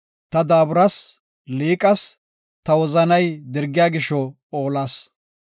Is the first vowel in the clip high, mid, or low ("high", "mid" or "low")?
low